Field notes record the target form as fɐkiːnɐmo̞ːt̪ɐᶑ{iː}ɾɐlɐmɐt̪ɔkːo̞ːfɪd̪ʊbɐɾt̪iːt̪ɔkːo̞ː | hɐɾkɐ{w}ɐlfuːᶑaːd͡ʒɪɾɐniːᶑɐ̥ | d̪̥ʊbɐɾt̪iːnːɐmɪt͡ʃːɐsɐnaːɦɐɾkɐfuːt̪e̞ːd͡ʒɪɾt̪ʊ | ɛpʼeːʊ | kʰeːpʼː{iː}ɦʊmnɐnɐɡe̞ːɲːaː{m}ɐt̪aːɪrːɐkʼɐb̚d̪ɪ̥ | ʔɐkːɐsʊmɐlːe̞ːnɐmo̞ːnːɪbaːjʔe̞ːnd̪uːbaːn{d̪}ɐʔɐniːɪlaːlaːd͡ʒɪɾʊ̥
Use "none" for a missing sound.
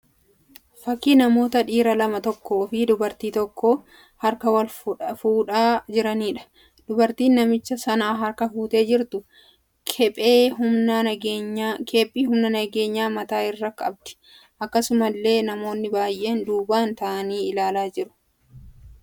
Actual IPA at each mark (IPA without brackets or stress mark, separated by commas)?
iː, w, iː, m, t̪